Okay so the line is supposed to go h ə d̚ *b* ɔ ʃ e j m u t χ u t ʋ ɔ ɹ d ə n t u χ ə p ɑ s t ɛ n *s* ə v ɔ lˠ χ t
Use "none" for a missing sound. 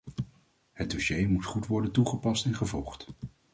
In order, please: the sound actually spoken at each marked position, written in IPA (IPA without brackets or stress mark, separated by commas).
d, χ